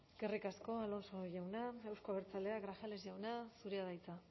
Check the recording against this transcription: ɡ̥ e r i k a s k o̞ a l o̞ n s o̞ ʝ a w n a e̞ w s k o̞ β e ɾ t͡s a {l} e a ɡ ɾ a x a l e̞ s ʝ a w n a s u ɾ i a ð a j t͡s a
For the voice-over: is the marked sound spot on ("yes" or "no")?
yes